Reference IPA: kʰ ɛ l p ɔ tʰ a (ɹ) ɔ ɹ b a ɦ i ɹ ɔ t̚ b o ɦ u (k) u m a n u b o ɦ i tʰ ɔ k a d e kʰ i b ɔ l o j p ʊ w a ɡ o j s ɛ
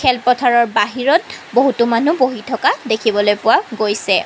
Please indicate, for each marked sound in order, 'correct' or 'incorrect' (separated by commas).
correct, incorrect